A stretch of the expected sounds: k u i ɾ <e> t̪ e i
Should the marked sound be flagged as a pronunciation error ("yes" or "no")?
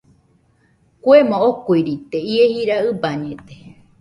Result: yes